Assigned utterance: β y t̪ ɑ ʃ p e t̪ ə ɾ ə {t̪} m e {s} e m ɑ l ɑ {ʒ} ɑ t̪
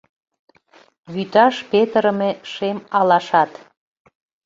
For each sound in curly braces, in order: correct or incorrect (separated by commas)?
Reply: incorrect, incorrect, incorrect